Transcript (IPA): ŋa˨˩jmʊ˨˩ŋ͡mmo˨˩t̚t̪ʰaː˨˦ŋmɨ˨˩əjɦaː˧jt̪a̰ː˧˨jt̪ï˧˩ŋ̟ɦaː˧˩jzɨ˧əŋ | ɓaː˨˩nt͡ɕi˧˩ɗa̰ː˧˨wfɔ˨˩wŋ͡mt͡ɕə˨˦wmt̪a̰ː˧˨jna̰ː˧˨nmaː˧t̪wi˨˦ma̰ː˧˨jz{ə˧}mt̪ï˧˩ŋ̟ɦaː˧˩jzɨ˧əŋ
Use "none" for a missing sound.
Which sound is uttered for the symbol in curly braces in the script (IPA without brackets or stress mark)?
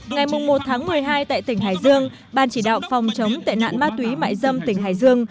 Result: ə˧